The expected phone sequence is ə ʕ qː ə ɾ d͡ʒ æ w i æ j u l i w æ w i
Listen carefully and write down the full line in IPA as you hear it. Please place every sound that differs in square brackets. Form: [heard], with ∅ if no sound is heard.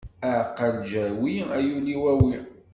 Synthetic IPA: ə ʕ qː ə [l] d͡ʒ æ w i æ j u l i w æ w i

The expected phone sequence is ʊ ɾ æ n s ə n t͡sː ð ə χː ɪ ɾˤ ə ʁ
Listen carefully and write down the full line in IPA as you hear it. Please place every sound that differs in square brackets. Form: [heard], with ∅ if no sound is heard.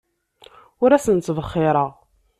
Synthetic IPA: ʊ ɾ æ [∅] s ə n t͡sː [v] ə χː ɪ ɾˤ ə ʁ

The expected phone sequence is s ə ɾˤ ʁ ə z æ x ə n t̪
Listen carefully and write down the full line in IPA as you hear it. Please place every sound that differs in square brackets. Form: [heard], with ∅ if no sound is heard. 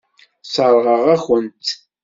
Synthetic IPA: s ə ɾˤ ʁ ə [ʁ] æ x ə n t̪

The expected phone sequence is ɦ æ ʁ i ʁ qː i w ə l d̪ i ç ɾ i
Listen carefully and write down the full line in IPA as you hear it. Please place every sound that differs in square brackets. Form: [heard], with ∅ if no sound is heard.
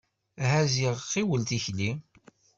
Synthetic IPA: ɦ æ [z] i ʁ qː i w ə l [t̪] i ç [l] i

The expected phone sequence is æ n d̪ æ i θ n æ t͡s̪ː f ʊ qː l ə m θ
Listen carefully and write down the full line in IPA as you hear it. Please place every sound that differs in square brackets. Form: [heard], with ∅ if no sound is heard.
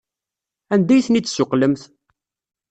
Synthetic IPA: æ n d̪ æ [j] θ n [i] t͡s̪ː [s] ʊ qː l ə m θ

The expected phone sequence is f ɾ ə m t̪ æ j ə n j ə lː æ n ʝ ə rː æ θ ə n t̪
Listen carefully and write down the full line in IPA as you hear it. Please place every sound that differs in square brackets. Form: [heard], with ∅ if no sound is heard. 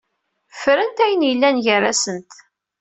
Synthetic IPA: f ɾ ə [n] t̪ æ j ə n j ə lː æ n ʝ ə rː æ [s] ə n t̪

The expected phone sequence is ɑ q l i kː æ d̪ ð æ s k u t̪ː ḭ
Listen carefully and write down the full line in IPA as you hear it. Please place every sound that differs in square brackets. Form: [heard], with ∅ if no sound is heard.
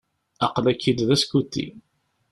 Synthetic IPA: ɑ q l [æ] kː [i] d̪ ð æ s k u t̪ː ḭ

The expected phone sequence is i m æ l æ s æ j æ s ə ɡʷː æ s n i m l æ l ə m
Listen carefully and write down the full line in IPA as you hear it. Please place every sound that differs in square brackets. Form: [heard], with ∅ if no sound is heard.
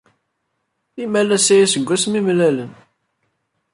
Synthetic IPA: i m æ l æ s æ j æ s ə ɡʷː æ s [m] i m l æ l ə [n]

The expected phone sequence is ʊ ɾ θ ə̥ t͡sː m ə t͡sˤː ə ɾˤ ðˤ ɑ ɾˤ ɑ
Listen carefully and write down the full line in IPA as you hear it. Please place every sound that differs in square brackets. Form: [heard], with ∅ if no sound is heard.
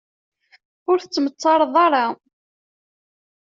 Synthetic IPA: ʊ ɾ θ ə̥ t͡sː m ə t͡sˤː [ɑ] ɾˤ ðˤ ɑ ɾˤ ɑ

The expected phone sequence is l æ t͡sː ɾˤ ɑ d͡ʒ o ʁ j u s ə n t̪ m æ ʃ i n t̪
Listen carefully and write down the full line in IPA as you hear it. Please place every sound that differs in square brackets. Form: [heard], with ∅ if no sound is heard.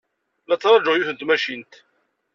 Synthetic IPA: l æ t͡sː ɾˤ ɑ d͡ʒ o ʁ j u [θ] ə n t̪ m æ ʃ i n t̪

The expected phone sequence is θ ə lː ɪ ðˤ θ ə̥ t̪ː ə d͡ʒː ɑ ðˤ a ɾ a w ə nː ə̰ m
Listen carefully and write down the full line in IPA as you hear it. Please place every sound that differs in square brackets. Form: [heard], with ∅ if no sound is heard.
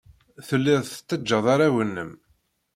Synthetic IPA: θ ə lː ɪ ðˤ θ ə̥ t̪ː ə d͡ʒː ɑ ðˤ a ɾ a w ə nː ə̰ m

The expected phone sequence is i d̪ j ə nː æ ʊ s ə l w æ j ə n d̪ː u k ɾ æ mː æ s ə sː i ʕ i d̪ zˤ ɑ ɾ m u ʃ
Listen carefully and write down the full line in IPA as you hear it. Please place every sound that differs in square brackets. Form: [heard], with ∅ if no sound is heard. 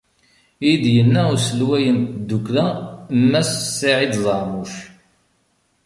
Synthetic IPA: i d̪ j ə nː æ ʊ s ə l w æ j ə n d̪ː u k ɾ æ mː æ s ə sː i ʕ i d̪ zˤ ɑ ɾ m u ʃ

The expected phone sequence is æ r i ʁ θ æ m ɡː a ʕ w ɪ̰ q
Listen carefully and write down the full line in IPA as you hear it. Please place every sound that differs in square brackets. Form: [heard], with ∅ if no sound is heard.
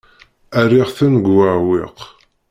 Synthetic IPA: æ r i ʁ θ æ [n] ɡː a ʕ w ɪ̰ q

